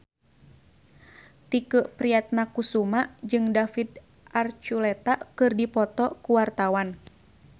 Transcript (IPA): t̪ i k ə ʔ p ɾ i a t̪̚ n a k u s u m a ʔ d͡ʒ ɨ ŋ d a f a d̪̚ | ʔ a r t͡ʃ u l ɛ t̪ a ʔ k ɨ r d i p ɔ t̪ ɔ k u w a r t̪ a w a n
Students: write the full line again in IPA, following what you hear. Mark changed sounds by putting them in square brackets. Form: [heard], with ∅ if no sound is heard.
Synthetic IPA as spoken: t̪ i k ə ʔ p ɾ i a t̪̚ n a k u s u m a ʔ d͡ʒ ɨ ŋ d a f [i] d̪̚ | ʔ a r t͡ʃ u l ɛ t̪ a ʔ k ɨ r d i p ɔ t̪ ɔ k u w a r t̪ a w a n